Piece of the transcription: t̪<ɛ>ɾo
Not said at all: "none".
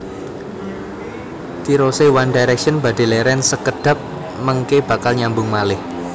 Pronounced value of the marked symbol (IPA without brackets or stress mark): i